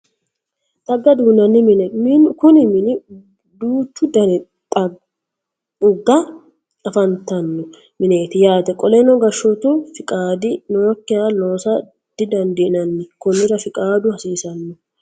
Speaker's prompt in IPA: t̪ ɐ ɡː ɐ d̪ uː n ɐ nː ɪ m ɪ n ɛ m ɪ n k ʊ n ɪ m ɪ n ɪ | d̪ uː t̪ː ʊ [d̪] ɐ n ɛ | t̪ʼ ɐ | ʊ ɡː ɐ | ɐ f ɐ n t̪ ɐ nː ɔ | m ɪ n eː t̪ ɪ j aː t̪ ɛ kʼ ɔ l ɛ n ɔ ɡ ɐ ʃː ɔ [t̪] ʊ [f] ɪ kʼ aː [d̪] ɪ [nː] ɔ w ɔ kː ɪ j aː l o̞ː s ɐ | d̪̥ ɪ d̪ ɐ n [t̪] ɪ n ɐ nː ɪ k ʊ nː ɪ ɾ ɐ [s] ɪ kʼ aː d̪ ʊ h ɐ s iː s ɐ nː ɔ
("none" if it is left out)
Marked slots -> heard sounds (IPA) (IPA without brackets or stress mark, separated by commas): d̪, t̪, f, d̪, n, d̪, f